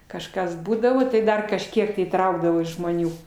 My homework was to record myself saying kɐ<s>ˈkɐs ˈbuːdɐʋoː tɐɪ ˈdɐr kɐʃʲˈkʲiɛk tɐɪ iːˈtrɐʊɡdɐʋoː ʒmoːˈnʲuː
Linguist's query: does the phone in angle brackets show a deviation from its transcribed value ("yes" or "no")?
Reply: yes